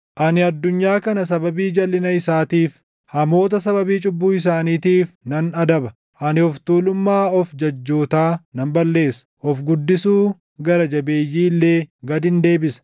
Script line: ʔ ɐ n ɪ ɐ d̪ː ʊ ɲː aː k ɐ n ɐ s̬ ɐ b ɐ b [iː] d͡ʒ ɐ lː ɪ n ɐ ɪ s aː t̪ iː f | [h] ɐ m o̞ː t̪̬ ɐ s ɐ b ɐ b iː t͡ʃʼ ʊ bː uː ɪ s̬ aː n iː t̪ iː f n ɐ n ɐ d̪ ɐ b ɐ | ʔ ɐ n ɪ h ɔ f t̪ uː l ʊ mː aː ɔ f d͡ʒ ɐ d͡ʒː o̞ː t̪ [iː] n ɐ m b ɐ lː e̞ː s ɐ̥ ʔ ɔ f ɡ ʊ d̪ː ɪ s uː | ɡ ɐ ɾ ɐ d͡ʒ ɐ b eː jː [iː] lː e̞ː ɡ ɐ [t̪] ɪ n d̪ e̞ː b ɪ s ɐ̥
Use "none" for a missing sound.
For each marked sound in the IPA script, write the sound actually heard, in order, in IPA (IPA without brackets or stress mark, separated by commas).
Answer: iː, h, aː, iː, d̪